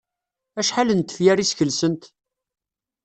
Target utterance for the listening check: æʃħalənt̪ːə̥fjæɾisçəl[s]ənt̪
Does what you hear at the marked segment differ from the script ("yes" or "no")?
no